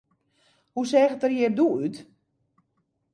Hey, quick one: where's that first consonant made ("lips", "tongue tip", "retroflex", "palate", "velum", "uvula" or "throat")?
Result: throat